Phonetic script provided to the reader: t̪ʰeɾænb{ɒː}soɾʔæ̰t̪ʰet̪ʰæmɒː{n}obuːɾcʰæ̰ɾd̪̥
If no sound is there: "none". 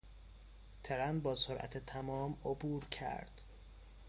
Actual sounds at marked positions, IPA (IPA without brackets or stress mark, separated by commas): ɒː, m